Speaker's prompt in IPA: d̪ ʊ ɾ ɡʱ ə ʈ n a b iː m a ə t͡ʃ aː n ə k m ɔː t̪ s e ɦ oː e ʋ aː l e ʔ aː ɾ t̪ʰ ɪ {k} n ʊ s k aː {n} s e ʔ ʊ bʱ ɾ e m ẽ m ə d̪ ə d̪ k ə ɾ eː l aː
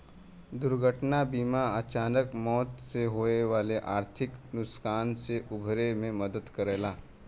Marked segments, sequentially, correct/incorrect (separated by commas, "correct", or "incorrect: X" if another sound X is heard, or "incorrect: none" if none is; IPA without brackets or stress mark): correct, correct